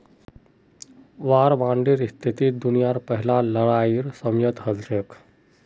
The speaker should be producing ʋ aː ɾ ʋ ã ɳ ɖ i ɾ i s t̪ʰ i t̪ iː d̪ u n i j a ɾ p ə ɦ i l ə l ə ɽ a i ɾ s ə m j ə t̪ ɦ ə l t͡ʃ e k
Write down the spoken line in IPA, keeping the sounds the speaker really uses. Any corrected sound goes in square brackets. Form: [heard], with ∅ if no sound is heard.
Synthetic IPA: ʋ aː ɾ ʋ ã ɳ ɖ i ɾ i s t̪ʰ i t̪ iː d̪ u n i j a ɾ p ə ɦ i l [a] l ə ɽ a i ɾ s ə m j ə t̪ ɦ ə l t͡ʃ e k